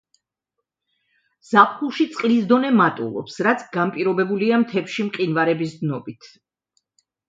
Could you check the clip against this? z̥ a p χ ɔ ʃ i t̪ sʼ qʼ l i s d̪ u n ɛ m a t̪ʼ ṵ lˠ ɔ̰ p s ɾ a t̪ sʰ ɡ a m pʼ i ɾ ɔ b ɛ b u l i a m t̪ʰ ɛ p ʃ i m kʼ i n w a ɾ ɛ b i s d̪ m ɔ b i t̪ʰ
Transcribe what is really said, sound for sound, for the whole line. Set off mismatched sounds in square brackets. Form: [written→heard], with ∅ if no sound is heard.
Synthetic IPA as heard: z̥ a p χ [ɔ→u] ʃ i t̪ sʼ qʼ l i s d̪ [u→ɔ] n ɛ m a t̪ʼ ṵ lˠ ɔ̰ p s ɾ a t̪ sʰ ɡ a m pʼ i ɾ ɔ b ɛ b u l i a m t̪ʰ ɛ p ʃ i m [kʼ→qʼ] i n [w→v] a ɾ ɛ b i s d̪ [m→n] ɔ b i t̪ʰ